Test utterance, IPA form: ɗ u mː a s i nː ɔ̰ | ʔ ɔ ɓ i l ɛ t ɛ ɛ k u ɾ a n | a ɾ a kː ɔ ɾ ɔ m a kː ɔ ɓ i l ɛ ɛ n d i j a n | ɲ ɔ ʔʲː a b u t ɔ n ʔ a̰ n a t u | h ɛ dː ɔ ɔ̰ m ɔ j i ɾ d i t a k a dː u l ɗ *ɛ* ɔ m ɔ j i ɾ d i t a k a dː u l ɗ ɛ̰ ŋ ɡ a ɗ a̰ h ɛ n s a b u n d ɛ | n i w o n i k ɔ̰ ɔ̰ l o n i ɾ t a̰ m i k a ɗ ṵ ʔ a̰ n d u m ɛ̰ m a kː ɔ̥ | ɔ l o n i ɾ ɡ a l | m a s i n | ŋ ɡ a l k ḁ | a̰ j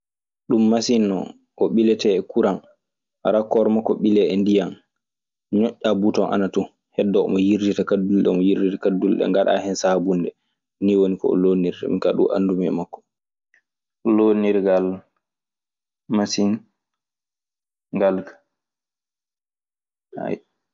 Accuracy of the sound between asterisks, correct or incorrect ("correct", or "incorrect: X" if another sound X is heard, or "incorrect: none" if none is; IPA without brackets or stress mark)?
correct